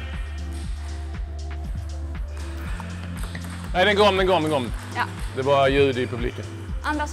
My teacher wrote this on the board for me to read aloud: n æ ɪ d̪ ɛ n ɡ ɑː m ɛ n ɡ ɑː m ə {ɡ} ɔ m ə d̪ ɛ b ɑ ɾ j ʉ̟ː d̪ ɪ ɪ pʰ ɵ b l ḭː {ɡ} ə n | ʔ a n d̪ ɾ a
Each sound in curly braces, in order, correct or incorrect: correct, incorrect

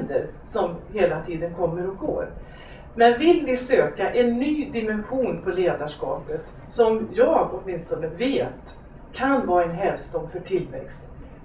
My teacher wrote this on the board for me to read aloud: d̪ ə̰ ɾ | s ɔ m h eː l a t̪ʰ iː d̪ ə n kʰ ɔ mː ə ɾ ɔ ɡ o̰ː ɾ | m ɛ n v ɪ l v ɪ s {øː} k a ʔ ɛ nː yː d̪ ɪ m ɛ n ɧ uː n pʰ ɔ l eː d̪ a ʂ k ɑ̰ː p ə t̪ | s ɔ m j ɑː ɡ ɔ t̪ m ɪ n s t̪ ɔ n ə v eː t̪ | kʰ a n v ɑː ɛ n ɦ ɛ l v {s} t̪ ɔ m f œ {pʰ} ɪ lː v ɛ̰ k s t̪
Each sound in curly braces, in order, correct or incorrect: correct, correct, incorrect

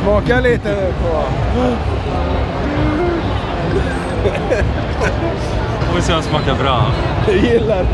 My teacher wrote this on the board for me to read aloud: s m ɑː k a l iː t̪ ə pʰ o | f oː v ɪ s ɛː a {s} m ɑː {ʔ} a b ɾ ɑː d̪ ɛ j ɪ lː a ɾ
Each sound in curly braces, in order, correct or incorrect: correct, incorrect

